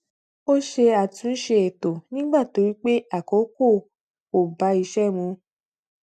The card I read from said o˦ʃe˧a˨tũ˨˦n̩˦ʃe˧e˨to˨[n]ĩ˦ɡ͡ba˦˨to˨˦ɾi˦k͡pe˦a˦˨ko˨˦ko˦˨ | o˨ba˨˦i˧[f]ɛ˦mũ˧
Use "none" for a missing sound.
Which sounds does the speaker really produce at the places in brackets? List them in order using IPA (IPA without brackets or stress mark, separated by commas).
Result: n, ʃ